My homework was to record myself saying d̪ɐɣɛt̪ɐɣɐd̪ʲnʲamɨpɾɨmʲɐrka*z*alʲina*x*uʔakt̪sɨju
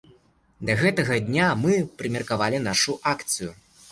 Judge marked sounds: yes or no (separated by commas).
no, no